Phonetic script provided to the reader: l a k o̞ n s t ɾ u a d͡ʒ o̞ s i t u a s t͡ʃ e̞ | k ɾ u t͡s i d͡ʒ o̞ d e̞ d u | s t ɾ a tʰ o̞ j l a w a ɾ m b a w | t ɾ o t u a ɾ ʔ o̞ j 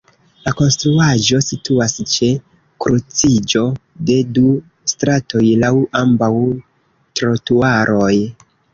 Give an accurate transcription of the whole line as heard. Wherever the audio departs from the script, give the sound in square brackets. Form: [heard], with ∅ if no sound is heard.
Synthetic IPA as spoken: l a k o̞ n s t ɾ u a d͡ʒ o̞ s i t u a s t͡ʃ e̞ | k ɾ u t͡s i d͡ʒ o̞ d e̞ d u | s t ɾ a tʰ o̞ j l a w a [∅] m b a w | t ɾ o t u a ɾ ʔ o̞ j